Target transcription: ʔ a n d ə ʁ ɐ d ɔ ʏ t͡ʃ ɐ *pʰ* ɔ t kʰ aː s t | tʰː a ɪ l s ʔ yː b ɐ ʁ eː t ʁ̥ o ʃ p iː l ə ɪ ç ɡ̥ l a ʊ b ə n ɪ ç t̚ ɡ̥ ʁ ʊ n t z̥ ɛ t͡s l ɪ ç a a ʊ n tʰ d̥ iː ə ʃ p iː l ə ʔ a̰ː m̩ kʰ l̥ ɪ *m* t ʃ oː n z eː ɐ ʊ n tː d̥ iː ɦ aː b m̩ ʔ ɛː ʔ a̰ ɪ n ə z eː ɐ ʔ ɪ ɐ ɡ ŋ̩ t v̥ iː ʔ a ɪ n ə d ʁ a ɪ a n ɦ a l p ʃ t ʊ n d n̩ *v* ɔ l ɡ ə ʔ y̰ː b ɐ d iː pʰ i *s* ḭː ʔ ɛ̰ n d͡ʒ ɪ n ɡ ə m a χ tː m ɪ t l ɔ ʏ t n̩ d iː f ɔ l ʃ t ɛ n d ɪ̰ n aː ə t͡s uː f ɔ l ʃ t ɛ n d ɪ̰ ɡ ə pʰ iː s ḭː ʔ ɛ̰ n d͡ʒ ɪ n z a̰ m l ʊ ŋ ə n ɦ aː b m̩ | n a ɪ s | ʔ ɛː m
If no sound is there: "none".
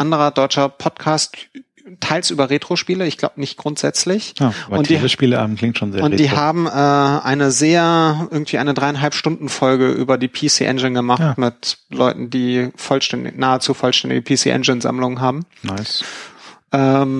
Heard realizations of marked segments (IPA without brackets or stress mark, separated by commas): pʰ, ŋ, f, s